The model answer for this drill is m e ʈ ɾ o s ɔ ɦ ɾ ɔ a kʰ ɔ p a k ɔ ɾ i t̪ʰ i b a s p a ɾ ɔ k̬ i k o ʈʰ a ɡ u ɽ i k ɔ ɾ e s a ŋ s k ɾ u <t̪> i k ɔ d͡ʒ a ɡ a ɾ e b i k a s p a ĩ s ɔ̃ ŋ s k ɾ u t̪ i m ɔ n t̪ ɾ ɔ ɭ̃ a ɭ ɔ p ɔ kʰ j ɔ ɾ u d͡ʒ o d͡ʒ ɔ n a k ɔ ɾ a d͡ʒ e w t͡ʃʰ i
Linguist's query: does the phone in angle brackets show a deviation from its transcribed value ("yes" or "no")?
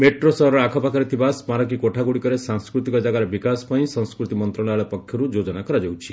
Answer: no